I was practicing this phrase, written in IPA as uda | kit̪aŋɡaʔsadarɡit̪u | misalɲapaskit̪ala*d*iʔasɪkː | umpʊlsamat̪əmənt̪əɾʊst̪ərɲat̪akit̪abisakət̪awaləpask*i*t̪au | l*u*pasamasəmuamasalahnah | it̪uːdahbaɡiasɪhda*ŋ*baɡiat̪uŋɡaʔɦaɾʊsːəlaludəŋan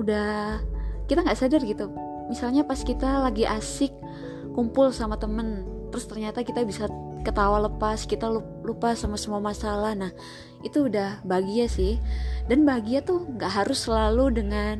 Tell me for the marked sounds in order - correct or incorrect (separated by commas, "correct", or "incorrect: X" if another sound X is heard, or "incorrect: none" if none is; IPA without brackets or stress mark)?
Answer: incorrect: ɡ, correct, correct, incorrect: n